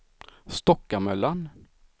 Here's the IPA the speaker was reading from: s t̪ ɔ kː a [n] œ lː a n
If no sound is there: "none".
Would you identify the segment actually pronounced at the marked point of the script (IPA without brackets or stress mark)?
m